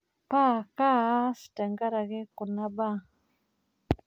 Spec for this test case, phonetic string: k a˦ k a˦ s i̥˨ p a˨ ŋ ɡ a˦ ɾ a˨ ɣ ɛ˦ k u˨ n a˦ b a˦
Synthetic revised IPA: p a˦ k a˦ s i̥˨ t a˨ ŋ ɡ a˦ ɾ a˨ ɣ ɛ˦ k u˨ n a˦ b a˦